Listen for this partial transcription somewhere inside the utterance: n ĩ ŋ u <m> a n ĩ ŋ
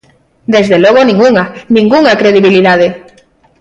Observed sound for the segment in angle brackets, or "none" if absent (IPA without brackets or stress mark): ŋ